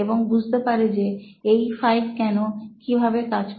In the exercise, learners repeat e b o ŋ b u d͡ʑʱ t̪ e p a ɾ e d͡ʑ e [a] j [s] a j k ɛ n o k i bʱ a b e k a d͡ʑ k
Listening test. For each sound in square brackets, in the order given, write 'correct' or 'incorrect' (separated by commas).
incorrect, incorrect